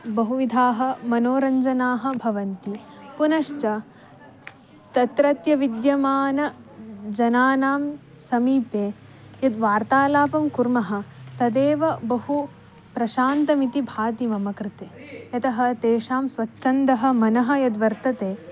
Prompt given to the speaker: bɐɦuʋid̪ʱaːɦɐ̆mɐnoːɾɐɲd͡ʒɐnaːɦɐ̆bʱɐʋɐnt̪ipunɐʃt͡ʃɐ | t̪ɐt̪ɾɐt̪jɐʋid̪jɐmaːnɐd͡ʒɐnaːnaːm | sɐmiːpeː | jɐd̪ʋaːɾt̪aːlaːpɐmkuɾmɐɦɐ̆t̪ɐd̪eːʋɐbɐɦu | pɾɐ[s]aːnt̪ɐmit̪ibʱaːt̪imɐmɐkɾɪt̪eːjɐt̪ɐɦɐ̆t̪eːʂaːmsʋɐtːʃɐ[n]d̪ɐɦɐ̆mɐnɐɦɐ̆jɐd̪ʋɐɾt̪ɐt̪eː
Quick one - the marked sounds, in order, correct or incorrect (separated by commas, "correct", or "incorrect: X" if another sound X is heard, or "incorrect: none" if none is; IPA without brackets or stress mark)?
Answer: incorrect: ʃ, correct